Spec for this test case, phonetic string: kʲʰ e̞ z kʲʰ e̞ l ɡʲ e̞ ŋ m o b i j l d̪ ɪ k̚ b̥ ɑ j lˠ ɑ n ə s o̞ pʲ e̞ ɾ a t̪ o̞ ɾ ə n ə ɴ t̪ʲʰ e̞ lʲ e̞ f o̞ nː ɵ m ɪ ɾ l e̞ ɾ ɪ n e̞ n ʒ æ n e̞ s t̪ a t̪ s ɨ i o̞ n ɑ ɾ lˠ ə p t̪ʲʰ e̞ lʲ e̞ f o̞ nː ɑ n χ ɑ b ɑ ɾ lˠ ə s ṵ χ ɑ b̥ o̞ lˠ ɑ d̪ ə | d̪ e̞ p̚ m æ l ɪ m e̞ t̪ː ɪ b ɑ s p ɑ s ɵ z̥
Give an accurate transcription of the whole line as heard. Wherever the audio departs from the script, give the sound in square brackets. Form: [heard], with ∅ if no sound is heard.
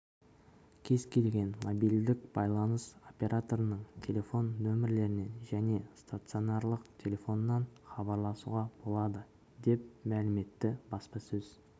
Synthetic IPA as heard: kʲʰ e̞ z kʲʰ e̞ l ɡʲ e̞ [n] m o b i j l d̪ ɪ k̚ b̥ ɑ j lˠ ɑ n ə s o̞ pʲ e̞ ɾ a t̪ o̞ ɾ ə n ə ɴ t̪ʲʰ e̞ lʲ e̞ f o̞ nː ɵ m ɪ ɾ l e̞ ɾ ɪ n e̞ n ʒ æ n e̞ s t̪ a t̪ s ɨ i o̞ n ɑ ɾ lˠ ə [q] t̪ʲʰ e̞ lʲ e̞ f o̞ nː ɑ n χ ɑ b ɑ ɾ lˠ [ɑ] s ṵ [ʁ] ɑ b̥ o̞ lˠ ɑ d̪ ə | d̪ e̞ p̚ m æ l ɪ m e̞ t̪ː ɪ b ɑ s p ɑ s ɵ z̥